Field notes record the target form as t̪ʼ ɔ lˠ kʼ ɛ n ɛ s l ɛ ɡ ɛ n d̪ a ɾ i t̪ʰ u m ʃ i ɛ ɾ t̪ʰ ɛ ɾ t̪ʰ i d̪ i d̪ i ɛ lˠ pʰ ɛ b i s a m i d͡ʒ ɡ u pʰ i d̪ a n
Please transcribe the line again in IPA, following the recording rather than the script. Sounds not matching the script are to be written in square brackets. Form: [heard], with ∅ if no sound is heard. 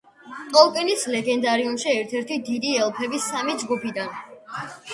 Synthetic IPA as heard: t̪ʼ ɔ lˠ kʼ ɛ n [i] s l ɛ ɡ ɛ n d̪ a ɾ i [∅] u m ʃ i ɛ ɾ t̪ʰ ɛ ɾ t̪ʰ i d̪ i d̪ i ɛ lˠ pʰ ɛ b i s a m i d͡ʒ ɡ u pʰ i d̪ a n